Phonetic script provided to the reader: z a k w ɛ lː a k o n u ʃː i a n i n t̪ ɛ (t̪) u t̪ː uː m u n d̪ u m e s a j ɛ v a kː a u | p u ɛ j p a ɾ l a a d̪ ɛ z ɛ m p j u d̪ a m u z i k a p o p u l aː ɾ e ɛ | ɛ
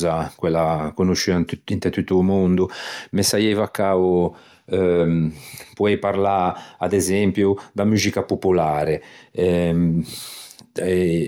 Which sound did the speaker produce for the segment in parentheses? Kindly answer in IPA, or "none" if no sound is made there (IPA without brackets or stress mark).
t̪